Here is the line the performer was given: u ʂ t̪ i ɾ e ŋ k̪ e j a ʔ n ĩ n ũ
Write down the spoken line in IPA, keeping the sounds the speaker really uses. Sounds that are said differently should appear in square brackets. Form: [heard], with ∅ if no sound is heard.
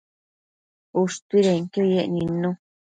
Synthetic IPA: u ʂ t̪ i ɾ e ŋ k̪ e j [e] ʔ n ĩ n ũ